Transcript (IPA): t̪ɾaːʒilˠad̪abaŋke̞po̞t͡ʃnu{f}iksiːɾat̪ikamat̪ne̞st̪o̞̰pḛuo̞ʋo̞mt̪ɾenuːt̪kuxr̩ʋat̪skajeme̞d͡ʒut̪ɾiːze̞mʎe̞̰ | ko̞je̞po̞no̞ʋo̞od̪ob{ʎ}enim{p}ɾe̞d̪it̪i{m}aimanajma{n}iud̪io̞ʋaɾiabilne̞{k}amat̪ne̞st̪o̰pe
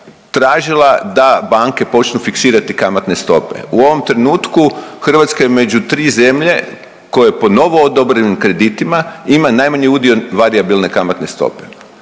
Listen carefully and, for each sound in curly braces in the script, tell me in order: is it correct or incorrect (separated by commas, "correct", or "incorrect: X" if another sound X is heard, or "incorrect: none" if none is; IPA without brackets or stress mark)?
correct, incorrect: ɾ, incorrect: k, correct, incorrect: ɲ, correct